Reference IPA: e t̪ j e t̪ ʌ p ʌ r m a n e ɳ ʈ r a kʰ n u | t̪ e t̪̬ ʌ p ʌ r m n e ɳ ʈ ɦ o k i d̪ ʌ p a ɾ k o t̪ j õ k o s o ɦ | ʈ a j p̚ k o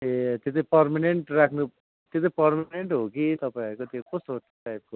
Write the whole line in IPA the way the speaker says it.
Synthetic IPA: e t̪ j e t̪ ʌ p ʌ r m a n e ɳ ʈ r a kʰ n u | t̪ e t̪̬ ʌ p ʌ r m n e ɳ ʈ ɦ o k i t̪ ʌ p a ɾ k o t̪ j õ k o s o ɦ | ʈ a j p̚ k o